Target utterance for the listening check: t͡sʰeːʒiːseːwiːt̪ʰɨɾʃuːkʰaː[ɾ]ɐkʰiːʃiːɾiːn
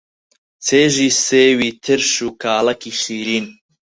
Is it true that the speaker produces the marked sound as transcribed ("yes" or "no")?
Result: no